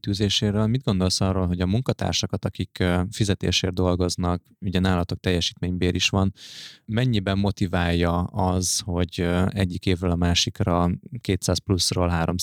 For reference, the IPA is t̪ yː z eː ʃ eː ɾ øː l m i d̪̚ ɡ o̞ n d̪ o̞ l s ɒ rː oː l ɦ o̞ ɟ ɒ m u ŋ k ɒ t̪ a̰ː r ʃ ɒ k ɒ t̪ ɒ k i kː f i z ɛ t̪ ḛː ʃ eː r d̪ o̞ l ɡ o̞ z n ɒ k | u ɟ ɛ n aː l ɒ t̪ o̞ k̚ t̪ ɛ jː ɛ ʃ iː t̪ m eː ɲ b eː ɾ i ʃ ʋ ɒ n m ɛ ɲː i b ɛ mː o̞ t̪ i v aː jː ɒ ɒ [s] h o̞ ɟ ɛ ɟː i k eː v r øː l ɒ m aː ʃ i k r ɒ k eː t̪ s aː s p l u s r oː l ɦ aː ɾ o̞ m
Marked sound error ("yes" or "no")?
yes